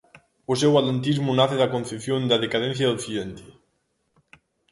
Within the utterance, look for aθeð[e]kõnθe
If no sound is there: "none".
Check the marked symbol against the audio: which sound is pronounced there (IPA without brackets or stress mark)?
a